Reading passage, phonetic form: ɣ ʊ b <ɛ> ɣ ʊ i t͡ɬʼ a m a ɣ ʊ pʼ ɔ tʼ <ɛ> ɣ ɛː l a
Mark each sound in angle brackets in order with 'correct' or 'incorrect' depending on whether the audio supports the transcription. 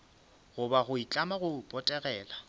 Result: incorrect: a, correct

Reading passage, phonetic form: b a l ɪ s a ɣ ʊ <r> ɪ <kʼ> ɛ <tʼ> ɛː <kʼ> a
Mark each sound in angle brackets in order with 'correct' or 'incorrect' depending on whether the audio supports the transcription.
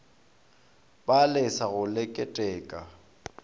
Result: incorrect: l, correct, correct, correct

